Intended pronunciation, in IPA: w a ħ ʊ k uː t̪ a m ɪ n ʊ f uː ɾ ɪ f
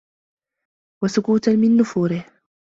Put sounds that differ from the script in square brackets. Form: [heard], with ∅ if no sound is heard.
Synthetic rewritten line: w a [s] ʊ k uː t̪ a m ɪ [nː] ʊ f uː ɾ ɪ [h]